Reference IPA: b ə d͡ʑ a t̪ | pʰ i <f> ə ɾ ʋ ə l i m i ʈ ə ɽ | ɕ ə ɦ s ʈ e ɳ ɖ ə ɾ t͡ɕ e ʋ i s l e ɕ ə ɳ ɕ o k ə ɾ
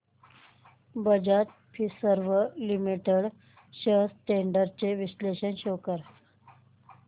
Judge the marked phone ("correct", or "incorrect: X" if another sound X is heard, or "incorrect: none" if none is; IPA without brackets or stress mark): incorrect: s